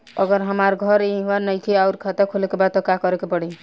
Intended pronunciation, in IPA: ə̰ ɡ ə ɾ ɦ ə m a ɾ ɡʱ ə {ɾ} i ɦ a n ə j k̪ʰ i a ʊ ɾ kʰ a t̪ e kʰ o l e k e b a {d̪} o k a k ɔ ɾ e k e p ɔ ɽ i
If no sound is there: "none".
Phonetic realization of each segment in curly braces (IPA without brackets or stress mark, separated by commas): ɾ, t̪